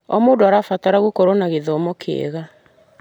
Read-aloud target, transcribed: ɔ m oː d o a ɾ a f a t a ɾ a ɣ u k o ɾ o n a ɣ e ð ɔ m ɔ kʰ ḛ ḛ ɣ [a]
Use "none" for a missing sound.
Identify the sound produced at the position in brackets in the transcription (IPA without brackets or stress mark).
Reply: a